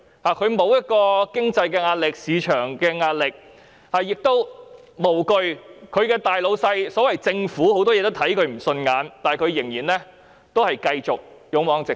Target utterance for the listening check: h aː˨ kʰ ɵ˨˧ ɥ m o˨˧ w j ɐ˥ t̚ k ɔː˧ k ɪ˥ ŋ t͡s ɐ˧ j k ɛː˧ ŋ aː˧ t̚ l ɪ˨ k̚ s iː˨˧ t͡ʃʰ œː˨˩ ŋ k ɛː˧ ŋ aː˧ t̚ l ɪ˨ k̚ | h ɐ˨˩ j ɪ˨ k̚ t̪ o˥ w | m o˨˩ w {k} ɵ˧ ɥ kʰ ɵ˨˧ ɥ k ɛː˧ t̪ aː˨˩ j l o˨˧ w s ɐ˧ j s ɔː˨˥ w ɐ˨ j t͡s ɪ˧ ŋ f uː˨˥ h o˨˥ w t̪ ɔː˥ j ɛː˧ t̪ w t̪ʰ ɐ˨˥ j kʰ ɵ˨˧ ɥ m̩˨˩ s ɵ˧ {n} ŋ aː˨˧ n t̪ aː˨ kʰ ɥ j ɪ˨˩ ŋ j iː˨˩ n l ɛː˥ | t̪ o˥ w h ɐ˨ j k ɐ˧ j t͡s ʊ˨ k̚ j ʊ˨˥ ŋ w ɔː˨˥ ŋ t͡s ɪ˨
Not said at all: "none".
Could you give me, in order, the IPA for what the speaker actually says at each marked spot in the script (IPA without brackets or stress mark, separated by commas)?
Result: k, n